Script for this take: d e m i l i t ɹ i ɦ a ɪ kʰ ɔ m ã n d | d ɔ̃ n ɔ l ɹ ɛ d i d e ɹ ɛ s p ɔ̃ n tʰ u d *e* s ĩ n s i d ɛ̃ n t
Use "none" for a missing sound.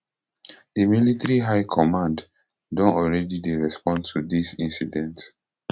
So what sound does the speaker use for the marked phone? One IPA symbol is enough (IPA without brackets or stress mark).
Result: i